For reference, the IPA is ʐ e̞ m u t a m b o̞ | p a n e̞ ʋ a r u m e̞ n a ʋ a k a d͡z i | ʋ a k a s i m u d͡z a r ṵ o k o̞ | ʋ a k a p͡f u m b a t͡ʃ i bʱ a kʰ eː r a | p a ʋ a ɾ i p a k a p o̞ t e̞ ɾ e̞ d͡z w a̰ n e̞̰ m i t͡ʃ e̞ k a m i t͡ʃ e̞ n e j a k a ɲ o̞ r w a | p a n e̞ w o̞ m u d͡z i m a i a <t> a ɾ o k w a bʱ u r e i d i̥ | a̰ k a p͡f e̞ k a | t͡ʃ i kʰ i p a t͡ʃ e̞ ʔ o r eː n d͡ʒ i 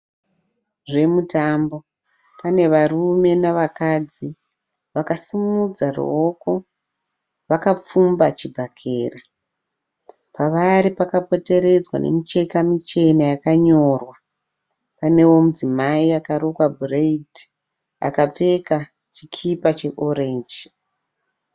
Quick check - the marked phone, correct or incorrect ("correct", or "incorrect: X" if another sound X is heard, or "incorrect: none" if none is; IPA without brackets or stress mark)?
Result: incorrect: k